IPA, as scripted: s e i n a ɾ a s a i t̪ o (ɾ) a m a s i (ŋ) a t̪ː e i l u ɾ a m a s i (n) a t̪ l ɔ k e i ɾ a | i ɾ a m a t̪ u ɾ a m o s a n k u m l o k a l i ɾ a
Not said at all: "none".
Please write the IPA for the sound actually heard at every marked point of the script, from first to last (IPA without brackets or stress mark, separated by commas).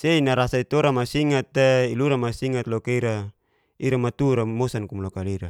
ɾ, ŋ, ŋ